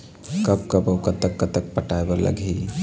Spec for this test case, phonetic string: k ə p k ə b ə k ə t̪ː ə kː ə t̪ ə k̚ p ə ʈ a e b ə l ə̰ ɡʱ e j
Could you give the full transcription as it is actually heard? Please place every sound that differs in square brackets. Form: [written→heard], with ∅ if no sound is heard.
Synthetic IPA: k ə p k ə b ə k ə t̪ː ə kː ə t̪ ə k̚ p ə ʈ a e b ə l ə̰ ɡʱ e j